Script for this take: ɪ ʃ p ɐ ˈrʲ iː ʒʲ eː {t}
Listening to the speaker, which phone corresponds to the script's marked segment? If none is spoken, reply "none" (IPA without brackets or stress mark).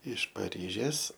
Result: s